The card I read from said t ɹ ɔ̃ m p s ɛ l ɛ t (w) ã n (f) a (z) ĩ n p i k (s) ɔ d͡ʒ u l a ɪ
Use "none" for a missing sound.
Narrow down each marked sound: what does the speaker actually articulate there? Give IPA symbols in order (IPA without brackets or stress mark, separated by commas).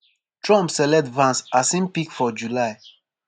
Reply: v, s, s, f